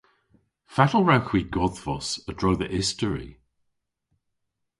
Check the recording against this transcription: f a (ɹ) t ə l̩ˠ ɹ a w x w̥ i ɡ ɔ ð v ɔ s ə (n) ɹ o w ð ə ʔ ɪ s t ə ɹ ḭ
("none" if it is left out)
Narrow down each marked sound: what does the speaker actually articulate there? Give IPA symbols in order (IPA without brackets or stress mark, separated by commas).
none, d